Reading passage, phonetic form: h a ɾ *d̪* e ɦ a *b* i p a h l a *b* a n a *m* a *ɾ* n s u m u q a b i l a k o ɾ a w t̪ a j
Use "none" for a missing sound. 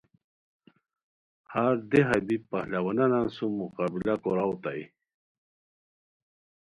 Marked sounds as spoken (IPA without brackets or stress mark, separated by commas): d̪, b, w, n, none